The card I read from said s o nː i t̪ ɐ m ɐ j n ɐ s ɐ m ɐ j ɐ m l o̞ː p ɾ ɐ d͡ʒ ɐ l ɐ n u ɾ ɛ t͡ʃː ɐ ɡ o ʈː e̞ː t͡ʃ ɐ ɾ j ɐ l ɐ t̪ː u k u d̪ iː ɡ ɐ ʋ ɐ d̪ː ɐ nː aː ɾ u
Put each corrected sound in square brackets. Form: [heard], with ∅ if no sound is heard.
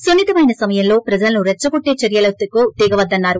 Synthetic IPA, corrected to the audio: s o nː i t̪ ɐ m ɐ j n ɐ s ɐ m ɐ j ɐ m l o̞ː p ɾ ɐ d͡ʒ ɐ l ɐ n u ɾ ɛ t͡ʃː ɐ ɡ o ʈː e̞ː t͡ʃ ɐ ɾ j ɐ l ɐ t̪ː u k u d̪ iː ɡ ɐ ʋ ɐ d̪ː ɐ nː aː ɾ u